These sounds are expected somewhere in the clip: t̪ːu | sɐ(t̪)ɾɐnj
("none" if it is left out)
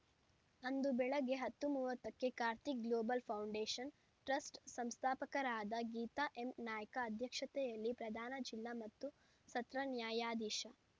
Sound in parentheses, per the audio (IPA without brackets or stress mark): t̪